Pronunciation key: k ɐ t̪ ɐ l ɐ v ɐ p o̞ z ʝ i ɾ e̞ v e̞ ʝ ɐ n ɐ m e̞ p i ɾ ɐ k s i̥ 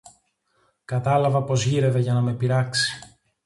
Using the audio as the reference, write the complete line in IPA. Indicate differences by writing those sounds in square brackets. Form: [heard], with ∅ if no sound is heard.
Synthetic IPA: k ɐ t̪ ɐ l ɐ v ɐ p o̞ z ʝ i ɾ e̞ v e̞ ʝ ɐ n ɐ m e̞ p i ɾ ɐ k s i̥